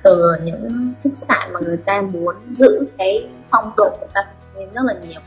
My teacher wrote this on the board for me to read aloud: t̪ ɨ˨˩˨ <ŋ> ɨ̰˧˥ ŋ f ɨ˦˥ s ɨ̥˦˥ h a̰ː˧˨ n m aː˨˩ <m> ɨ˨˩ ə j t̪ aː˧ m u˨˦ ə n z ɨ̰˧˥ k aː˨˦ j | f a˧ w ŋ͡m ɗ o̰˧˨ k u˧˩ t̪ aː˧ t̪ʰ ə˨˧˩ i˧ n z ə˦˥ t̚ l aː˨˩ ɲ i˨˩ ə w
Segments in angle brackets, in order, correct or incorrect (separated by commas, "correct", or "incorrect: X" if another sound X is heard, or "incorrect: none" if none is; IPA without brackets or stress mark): incorrect: ɲ, incorrect: ŋ